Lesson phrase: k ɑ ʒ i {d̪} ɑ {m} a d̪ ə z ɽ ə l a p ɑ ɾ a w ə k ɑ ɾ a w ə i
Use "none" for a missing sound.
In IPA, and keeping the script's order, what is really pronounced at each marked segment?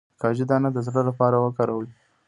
d̪, n

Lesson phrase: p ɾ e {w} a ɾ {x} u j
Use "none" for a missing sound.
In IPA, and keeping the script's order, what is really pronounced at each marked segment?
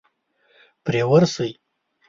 w, s

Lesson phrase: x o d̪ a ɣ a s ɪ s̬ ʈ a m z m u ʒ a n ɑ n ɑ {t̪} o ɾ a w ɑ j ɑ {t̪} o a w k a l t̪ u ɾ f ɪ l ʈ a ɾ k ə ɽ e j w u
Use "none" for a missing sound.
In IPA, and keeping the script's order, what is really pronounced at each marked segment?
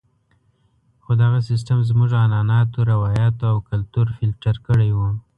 t̪, t̪

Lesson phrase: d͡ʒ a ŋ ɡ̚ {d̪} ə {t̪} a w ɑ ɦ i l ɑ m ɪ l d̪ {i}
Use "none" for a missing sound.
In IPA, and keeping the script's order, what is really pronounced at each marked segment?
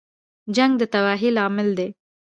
d̪, t̪, e

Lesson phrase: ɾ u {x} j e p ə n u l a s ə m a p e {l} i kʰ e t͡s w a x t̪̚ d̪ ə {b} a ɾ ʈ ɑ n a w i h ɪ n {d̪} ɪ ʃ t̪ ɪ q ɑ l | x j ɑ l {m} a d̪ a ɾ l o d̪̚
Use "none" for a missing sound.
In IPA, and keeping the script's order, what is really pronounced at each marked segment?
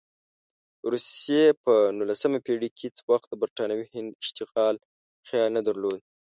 s, ɽ, b, d̪, n

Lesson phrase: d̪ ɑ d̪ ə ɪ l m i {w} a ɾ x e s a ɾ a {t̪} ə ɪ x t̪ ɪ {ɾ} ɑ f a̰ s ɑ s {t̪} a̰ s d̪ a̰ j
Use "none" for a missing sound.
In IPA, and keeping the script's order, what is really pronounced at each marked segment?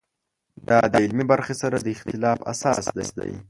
b, d̪, l, d̪

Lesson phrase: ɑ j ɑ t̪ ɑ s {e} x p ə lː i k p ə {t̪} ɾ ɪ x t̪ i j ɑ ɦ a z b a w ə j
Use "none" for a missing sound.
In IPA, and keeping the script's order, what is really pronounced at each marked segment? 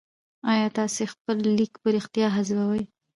e, none

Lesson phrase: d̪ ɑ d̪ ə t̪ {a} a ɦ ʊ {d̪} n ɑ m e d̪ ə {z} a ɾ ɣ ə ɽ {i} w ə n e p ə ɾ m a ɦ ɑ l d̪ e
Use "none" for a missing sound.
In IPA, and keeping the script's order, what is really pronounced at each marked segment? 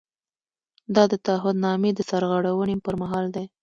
a, d̪, s, a

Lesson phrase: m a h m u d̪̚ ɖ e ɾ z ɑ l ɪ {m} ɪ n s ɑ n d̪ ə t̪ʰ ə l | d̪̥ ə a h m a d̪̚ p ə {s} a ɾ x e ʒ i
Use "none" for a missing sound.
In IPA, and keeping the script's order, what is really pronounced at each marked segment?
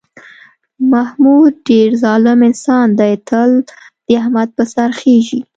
m, s

